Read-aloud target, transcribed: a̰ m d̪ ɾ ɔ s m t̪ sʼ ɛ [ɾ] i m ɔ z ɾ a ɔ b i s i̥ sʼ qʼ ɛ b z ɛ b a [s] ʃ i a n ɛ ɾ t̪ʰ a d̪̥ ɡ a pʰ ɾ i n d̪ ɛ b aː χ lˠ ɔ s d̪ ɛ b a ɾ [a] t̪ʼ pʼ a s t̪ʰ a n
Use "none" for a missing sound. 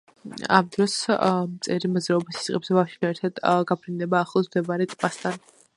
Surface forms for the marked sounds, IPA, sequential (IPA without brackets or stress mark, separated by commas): ɾ, f, ɛ